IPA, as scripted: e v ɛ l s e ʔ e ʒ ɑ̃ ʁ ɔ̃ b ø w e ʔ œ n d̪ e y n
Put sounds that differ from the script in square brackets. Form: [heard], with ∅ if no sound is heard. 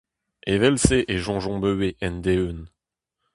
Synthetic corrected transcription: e v ɛ l s e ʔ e ʒ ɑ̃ [ʒ] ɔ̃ b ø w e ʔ [ɛ] n d̪ e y n